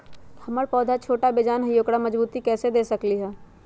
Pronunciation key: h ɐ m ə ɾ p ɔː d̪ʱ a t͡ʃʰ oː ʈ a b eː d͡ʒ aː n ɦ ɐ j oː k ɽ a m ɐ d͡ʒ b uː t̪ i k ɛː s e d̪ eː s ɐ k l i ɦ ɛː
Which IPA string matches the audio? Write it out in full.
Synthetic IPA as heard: h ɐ m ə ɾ p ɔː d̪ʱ a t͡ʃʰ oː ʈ a b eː d͡ʒ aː n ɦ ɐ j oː k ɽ a m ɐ d͡ʒ b uː t̪ i k ɛː s e d̪ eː s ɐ k l i ɦ ɛː